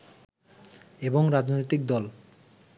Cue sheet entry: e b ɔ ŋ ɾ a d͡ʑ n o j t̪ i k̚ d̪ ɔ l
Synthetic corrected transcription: e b o ŋ ɾ a d͡ʑ n o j t̪ i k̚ d̪ ɔ l